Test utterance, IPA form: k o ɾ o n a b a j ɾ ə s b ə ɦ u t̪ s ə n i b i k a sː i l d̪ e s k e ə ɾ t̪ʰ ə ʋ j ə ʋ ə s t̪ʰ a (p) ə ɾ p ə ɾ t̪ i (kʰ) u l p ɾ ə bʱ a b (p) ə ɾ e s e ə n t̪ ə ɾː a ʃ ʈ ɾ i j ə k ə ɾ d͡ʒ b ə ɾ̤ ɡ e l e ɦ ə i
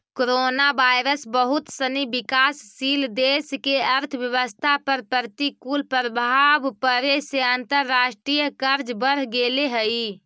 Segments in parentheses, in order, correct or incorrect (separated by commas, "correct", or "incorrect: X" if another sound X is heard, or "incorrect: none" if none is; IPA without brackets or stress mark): correct, incorrect: k, correct